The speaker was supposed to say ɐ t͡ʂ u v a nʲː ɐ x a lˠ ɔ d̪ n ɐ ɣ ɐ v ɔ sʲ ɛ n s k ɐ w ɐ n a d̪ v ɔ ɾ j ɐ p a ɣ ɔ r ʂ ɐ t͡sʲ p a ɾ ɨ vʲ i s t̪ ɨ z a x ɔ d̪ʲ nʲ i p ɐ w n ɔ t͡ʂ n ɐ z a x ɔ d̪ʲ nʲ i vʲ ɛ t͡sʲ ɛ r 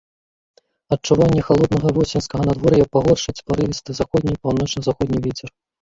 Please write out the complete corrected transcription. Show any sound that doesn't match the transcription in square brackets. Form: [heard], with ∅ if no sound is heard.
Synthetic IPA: ɐ t͡ʂ u v a nʲː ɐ x a lˠ ɔ d̪ n ɐ ɣ ɐ v ɔ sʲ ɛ n s k ɐ [ɣ] ɐ n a d̪ v ɔ ɾ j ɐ p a ɣ ɔ r ʂ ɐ t͡sʲ p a ɾ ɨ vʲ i s t̪ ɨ z a x ɔ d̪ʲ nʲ i p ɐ w n ɔ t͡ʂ n ɐ z a x ɔ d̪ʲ nʲ i vʲ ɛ t͡sʲ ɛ r